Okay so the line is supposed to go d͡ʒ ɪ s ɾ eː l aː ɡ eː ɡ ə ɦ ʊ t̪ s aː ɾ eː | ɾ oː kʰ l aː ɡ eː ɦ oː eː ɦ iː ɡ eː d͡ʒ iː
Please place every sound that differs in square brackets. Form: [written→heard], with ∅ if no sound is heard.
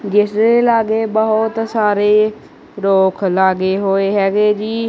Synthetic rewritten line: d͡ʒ ɪ s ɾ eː l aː ɡ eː [ɡ→b] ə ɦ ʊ t̪ s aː ɾ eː | ɾ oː kʰ l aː ɡ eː ɦ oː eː ɦ [iː→ɛː] ɡ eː d͡ʒ iː